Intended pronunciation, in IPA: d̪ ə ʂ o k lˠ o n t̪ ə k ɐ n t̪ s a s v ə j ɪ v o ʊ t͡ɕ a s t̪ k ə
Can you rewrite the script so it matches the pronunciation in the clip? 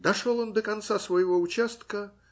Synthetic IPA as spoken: d̪ ɐ ʂ o lˠ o n d̪ ə k ɐ n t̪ s a s v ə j ɪ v o ʊ t͡ɕ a s t̪ k ə